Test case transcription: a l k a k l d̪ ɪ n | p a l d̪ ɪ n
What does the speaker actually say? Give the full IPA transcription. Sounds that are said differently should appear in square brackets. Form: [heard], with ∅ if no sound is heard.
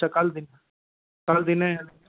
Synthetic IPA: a [∅] k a [∅] l d̪ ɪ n | [k] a l d̪ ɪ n